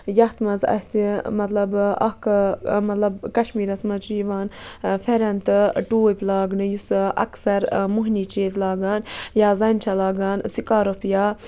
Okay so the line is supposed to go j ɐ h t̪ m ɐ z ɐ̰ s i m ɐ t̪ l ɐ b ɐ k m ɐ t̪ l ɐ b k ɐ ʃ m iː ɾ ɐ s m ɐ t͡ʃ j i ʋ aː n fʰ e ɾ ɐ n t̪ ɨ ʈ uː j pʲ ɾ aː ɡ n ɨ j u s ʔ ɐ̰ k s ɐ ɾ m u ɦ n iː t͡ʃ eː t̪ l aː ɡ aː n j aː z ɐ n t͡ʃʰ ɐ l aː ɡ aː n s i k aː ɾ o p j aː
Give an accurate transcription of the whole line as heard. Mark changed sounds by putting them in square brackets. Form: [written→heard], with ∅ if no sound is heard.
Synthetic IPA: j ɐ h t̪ m ɐ z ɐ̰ s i m ɐ t̪ l ɐ b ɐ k m ɐ t̪ l ɐ b k ɐ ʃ m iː ɾ ɐ s m ɐ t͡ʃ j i ʋ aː n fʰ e ɾ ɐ n t̪ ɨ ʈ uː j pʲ [ɾ→l] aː ɡ n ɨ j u s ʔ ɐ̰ k s ɐ ɾ m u ɦ n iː t͡ʃ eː t̪ l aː ɡ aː n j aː z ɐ n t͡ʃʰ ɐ l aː ɡ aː n s i k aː ɾ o p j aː